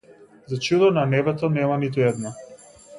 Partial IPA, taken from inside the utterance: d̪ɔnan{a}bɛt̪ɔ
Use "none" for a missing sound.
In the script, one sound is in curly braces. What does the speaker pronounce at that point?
ɛ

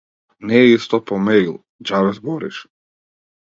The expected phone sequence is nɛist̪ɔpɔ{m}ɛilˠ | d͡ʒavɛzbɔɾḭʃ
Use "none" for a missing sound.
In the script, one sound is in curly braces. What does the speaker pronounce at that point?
m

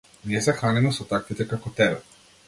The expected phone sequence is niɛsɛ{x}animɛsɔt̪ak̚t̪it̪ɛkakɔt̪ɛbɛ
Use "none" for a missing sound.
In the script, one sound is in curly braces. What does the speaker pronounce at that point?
x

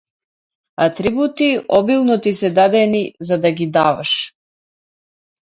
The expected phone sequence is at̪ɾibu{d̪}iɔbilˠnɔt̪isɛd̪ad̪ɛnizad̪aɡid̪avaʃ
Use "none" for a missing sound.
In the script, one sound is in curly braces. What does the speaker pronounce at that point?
t̪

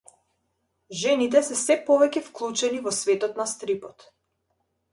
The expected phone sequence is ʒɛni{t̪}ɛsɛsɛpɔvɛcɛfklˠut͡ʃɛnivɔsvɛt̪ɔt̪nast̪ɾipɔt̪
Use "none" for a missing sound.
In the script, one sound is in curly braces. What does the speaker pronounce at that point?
t̪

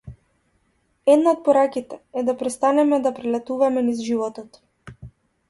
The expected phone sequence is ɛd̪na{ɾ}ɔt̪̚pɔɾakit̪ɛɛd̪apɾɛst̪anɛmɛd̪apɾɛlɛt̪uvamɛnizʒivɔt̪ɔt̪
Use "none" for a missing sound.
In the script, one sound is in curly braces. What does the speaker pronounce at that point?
none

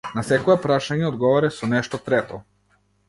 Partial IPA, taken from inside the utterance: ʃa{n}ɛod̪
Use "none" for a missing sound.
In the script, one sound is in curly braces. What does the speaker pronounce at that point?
ɲ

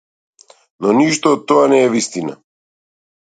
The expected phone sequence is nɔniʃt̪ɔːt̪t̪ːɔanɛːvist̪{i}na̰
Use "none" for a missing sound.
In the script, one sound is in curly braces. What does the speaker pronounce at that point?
i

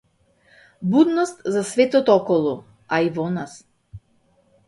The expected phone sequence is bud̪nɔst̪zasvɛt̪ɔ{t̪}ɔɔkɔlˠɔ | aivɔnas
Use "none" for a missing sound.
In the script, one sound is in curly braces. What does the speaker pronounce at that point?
t̪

